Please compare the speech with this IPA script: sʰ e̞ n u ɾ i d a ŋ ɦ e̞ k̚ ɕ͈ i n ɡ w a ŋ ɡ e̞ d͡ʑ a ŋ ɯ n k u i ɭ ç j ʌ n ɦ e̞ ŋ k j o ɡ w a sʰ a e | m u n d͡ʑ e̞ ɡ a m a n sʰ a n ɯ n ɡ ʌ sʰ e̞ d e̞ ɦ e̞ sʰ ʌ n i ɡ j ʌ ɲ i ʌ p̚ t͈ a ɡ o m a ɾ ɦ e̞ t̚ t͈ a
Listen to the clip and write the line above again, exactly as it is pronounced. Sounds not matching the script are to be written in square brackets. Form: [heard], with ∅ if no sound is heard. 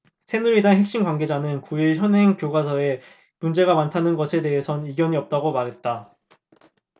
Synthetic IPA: sʰ e̞ n u ɾ i d a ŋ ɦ e̞ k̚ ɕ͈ i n ɡ w a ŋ ɡ e̞ d͡ʑ a [n] ɯ n k u i ɭ ç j ʌ n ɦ e̞ ŋ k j o ɡ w a sʰ [ʌ] e | m u n d͡ʑ e̞ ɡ a m a n [tʰ] a n ɯ n ɡ ʌ sʰ e̞ d e̞ ɦ e̞ sʰ ʌ n i ɡ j ʌ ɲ i ʌ p̚ t͈ a ɡ o m a ɾ ɦ e̞ t̚ t͈ a